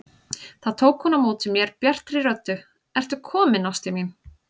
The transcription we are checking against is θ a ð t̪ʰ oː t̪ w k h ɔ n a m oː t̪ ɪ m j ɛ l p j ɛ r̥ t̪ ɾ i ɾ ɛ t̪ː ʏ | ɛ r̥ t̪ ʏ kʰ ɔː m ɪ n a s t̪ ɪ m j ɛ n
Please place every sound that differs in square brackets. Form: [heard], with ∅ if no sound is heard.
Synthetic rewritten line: θ a ð t̪ʰ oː [∅] w k h ɔ n a m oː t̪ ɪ m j ɛ [ɾ] p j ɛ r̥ t̪ ɾ i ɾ [œ] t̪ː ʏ | ɛ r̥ t̪ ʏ kʰ ɔː m ɪ n a s t̪ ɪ m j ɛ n